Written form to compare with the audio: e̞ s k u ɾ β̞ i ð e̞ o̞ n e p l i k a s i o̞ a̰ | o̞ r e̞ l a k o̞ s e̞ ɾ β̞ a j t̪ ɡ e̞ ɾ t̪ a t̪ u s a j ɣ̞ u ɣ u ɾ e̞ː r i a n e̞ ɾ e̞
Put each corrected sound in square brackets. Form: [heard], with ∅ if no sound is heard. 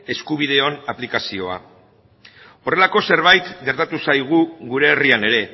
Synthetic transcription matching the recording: e̞ s k u [∅] β̞ i ð e̞ o̞ n [a] p l i k a s i o̞ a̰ | o̞ r e̞ l a k o̞ s e̞ ɾ β̞ a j t̪ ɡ e̞ ɾ t̪ a t̪ u s a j ɣ̞ u ɣ u ɾ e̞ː r i a n e̞ ɾ e̞